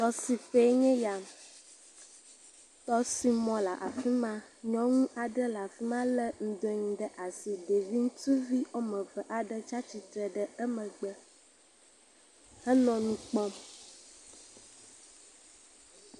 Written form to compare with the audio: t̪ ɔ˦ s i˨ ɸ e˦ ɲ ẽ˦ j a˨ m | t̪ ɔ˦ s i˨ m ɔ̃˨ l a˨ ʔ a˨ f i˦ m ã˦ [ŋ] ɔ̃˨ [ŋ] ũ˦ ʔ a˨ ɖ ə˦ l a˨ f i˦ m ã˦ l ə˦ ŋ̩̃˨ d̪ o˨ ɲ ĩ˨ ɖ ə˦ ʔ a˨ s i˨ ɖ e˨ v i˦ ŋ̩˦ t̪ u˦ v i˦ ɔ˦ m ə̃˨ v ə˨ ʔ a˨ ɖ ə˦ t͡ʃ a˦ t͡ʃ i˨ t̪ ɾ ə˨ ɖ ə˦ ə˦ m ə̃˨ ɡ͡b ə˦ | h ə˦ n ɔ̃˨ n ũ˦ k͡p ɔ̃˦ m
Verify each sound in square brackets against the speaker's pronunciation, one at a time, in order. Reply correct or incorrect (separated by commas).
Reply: incorrect, correct